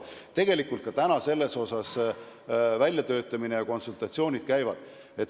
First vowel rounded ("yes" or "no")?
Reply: no